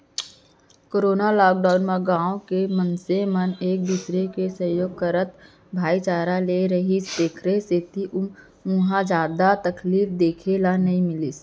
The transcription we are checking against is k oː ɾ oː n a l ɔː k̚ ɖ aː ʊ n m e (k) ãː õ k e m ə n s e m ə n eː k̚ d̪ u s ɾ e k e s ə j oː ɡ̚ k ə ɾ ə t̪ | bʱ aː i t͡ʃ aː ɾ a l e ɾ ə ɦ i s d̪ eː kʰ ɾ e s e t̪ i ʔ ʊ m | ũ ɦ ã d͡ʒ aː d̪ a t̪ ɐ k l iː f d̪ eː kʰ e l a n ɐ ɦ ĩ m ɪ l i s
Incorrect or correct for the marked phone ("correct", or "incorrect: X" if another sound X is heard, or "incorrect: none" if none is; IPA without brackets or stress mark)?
incorrect: ɡ